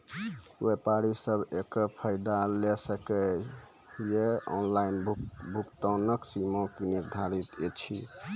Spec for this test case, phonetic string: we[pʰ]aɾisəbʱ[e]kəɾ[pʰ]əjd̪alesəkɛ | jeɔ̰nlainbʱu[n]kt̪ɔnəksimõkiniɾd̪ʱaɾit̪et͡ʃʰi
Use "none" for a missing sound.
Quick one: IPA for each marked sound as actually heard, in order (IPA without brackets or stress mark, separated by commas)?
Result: p, e, pʰ, none